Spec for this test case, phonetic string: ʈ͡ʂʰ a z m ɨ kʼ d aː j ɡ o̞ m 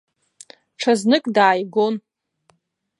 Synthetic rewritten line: ʈ͡ʂʰ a z n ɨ kʼ d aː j ɡ o̞ n